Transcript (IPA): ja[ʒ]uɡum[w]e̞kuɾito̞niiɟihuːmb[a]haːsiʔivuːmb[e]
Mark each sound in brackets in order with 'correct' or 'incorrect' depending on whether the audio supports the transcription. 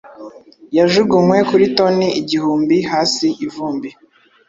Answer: correct, correct, incorrect: i, incorrect: i

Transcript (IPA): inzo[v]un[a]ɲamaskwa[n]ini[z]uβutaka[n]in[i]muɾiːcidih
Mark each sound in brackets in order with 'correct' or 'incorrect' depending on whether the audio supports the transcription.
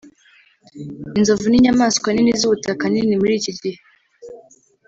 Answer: correct, incorrect: i, correct, correct, correct, correct

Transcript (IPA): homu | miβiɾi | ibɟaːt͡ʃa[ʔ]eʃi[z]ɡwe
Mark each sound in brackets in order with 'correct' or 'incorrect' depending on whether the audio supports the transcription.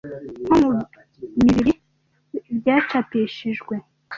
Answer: incorrect: p, incorrect: ʒ

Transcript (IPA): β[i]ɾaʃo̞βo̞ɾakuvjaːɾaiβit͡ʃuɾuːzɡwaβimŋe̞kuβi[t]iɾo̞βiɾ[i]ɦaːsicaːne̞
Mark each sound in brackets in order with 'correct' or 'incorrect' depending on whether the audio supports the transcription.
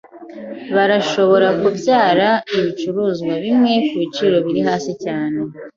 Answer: incorrect: a, incorrect: t͡ʃ, correct

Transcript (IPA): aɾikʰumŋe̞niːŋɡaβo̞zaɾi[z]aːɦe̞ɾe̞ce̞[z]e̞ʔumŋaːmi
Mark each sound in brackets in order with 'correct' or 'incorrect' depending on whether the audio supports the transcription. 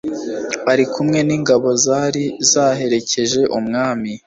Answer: correct, incorrect: ʒ

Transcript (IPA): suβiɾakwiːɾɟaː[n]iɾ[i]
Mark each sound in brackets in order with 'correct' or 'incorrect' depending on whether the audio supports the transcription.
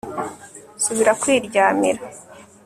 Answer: incorrect: m, incorrect: a

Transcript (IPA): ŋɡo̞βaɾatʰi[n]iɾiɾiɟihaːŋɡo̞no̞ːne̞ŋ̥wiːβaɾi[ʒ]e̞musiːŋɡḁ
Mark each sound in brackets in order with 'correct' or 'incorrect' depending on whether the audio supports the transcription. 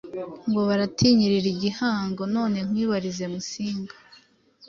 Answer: incorrect: ɲ, incorrect: z

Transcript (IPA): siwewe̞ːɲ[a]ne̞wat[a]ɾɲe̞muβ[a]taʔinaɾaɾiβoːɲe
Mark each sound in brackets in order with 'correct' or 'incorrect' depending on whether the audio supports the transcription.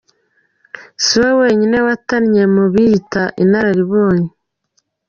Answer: incorrect: i, correct, incorrect: i

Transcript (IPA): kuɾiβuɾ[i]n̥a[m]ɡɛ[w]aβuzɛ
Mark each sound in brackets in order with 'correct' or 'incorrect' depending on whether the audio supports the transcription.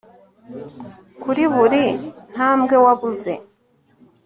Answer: correct, correct, correct

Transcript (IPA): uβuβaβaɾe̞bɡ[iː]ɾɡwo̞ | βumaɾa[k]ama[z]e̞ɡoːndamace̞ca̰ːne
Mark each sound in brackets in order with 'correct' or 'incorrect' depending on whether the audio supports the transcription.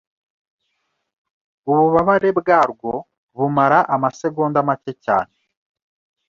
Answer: incorrect: aː, incorrect: ʔ, incorrect: s

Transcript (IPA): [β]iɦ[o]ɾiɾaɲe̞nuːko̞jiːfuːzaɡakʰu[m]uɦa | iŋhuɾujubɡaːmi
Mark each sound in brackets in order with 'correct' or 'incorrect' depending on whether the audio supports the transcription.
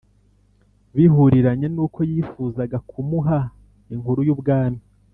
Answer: correct, incorrect: u, correct

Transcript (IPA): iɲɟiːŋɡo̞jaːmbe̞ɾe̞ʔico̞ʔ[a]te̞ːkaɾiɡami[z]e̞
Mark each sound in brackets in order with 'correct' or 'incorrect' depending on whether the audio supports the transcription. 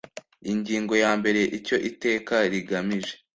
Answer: incorrect: i, incorrect: ʒ

